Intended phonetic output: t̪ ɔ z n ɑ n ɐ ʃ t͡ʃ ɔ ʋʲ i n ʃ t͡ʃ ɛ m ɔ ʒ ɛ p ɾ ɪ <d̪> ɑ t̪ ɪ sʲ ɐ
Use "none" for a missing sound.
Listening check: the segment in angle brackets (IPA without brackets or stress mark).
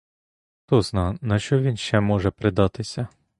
d̪